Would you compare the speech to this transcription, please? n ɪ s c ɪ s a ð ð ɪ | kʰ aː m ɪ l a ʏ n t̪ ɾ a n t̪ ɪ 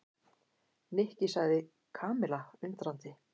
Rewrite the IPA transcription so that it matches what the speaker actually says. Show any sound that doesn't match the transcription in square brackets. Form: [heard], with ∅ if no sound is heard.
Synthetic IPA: n ɪ [h] c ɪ s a [ɣ] ð ɪ | kʰ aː m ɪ l a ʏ n t̪ ɾ a n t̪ ɪ